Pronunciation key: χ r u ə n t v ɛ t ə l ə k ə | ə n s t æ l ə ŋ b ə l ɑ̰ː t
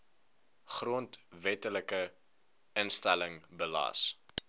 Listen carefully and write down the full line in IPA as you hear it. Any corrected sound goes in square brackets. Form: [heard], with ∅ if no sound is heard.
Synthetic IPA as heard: χ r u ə n t v ɛ t ə l ə k ə | ə n s t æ l ə ŋ b ə l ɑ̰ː [s]